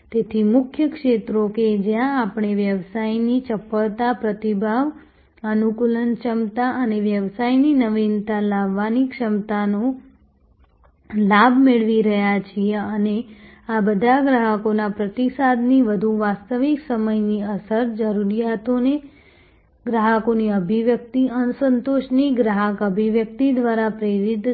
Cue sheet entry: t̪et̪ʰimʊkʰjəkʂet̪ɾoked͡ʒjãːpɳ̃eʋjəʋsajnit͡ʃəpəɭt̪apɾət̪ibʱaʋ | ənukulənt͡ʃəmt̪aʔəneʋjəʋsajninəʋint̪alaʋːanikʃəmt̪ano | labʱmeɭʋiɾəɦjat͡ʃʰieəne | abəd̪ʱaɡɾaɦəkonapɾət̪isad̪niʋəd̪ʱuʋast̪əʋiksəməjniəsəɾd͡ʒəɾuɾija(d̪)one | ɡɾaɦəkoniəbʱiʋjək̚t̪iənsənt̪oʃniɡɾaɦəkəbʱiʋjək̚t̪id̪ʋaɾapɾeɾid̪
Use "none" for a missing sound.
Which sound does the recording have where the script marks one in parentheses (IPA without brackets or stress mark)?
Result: t̪